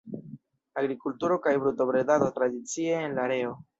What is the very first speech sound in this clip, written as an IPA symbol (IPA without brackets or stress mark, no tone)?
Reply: a